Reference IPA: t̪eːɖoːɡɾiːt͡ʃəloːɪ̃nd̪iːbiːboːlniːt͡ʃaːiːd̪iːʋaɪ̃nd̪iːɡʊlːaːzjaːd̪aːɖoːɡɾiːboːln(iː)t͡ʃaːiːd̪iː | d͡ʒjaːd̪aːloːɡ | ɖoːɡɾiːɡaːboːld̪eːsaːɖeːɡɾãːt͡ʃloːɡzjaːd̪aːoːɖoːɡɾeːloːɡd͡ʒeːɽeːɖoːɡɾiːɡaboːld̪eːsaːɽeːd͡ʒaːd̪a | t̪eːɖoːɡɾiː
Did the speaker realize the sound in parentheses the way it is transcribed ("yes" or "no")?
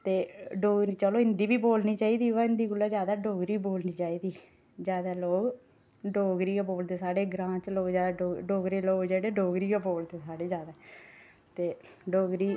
yes